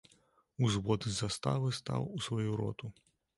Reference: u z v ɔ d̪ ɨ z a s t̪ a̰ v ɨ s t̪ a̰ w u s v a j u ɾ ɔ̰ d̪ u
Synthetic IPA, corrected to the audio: u z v ɔ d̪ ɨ z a s t̪ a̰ v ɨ s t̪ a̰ w u s v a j u ɾ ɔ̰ t̪ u